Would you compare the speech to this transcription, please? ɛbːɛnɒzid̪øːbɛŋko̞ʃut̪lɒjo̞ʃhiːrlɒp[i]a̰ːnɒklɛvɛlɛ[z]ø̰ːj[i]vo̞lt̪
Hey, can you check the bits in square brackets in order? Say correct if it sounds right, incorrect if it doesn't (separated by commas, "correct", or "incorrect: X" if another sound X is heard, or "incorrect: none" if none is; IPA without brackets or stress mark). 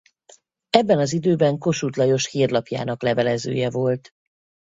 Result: incorrect: j, correct, incorrect: ɛ